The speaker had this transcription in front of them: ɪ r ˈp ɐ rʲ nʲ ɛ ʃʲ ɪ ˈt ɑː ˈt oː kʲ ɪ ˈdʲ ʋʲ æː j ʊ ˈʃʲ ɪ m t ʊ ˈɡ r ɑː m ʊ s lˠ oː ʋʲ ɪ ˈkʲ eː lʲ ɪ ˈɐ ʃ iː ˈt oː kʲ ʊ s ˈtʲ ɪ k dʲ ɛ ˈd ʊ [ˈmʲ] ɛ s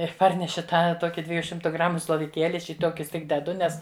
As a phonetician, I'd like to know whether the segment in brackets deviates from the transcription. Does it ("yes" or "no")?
yes